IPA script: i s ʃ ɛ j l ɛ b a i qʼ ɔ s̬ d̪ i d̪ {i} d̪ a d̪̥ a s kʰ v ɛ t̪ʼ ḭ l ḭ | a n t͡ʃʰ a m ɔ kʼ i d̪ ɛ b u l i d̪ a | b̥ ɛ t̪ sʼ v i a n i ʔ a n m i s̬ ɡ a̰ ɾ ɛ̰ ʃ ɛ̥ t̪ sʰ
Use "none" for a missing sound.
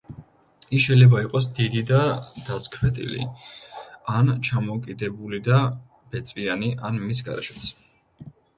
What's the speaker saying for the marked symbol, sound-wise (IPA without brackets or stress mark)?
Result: i